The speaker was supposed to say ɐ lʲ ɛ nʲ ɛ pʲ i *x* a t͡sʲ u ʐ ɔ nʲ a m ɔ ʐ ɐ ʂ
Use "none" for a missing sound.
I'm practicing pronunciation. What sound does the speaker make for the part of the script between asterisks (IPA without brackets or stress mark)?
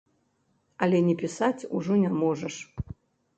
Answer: s